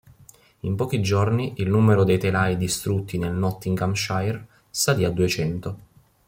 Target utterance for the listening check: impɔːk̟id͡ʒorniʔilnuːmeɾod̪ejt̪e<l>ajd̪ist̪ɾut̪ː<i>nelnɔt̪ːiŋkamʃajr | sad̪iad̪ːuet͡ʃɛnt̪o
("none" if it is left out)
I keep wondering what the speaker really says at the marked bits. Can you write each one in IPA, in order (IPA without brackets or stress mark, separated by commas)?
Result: l, i